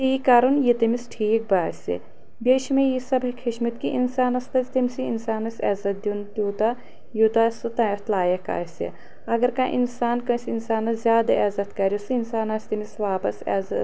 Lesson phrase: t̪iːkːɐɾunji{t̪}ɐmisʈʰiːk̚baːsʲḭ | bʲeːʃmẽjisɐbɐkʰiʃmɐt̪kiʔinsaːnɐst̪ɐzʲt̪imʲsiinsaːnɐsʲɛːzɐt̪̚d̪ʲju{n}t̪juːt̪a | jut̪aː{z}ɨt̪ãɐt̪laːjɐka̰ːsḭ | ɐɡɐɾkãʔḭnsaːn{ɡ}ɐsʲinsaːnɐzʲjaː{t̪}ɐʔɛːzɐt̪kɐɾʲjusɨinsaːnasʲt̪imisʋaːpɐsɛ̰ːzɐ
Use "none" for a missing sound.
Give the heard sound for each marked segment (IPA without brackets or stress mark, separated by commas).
t̪, n, s, k, d̪